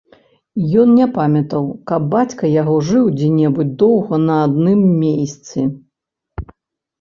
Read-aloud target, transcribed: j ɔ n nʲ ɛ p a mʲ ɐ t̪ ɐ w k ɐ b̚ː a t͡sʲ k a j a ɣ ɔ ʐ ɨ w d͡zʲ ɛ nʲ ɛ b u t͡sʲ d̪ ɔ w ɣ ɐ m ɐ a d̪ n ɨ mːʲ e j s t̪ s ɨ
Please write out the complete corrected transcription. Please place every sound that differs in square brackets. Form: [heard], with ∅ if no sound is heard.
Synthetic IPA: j ɔ n nʲ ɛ p a mʲ ɐ t̪ ɐ w k ɐ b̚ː a t͡sʲ k [ɐ] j a ɣ ɔ ʐ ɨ w d͡zʲ ɛ nʲ ɛ b u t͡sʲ d̪ ɔ w ɣ ɐ [n] ɐ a d̪ n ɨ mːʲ e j s t̪ s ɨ

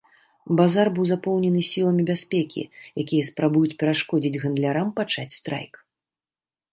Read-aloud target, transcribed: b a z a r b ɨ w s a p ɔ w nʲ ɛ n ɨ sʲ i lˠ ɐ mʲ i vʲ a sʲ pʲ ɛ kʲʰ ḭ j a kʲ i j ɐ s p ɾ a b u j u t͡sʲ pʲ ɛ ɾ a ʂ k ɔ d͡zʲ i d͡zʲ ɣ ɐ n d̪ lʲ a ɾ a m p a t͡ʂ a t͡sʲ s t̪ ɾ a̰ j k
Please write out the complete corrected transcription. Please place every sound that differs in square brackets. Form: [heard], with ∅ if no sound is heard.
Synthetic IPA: b a z a r b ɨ w [z] a p ɔ w nʲ ɛ n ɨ sʲ i lˠ ɐ mʲ i [bʲ] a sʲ pʲ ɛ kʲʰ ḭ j a kʲ i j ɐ s p ɾ a b u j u t͡sʲ pʲ ɛ ɾ a ʂ k ɔ d͡zʲ i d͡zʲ ɣ ɐ n d̪ lʲ a ɾ a m p a t͡ʂ a t͡sʲ s t̪ ɾ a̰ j k

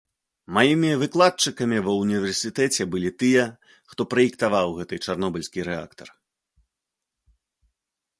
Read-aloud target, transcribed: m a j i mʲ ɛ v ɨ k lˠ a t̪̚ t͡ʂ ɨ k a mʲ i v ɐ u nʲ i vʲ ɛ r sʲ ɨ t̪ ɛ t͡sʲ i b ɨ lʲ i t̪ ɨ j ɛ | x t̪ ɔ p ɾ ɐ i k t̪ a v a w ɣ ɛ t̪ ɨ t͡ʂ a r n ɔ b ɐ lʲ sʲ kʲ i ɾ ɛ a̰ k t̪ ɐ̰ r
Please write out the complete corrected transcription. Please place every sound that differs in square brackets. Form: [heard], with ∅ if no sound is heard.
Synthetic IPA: m a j i mʲ [i] v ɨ k lˠ a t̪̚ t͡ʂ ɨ k [ɐ] mʲ i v ɐ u nʲ i vʲ ɛ r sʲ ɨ t̪ ɛ t͡sʲ [ɛ] b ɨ lʲ i t̪ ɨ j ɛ | x t̪ ɔ p ɾ ɐ i k t̪ a v a w ɣ ɛ t̪ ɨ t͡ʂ a r n ɔ b ɐ lʲ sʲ kʲ i ɾ ɛ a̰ k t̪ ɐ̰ r

